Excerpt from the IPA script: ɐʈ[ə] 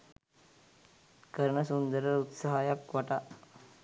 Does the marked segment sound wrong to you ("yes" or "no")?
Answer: yes